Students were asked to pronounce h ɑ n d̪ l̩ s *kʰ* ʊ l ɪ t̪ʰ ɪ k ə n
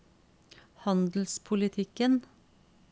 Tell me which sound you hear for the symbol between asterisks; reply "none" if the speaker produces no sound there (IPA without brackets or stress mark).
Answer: pʰ